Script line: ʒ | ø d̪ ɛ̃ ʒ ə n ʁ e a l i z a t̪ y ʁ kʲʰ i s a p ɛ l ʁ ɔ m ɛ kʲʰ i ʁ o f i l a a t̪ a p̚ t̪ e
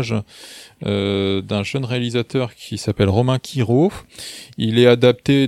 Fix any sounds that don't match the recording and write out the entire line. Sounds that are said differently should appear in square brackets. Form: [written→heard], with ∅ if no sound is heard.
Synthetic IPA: ʒ | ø d̪ ɛ̃ ʒ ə n ʁ e a l i z a t̪ [y→œ] ʁ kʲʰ i s a p ɛ l ʁ ɔ m [ɛ→ɛ̃] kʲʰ i ʁ o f i l [a→ɛ] a [t̪→d̪] a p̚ t̪ e